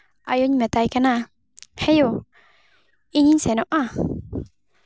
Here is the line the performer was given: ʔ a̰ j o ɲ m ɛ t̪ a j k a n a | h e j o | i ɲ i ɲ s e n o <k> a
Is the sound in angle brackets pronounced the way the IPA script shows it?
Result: no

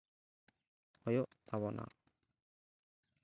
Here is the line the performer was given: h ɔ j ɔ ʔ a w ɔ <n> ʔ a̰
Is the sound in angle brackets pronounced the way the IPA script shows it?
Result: yes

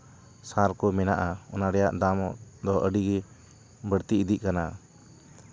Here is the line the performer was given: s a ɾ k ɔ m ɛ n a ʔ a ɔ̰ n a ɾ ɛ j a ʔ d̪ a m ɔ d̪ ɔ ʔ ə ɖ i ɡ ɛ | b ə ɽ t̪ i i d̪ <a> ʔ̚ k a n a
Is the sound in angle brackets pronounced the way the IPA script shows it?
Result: no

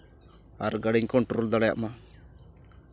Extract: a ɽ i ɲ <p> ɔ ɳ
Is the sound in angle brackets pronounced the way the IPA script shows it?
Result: no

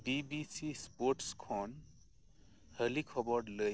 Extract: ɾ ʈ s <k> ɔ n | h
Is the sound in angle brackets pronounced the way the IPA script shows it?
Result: no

